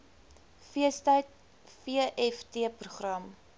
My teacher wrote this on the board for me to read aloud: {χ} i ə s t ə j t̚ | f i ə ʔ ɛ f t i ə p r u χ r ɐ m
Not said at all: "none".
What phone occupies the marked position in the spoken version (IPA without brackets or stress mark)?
f